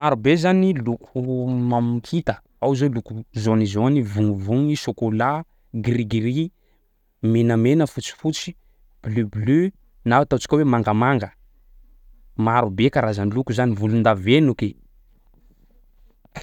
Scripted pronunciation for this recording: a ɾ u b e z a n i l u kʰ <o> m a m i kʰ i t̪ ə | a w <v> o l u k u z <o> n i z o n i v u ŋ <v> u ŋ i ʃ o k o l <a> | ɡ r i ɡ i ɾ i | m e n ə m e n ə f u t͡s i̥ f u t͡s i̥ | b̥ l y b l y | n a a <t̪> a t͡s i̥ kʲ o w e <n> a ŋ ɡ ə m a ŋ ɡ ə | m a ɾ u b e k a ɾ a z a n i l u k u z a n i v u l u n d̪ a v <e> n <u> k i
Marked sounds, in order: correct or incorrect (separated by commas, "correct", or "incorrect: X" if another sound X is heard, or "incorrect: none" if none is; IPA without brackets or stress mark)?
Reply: incorrect: u, incorrect: z, correct, correct, correct, correct, incorrect: m, correct, correct